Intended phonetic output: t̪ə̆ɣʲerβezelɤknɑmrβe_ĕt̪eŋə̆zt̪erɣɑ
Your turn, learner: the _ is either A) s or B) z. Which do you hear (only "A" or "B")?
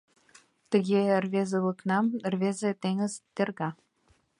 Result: B